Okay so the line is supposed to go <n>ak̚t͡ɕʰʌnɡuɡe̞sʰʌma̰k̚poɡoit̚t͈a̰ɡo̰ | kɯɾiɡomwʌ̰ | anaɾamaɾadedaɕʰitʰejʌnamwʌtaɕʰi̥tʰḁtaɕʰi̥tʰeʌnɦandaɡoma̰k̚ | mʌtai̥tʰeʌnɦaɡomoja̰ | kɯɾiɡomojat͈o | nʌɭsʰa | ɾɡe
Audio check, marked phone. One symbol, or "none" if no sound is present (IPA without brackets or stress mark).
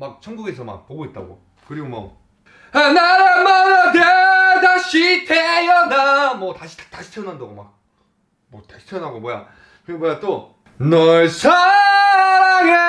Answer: m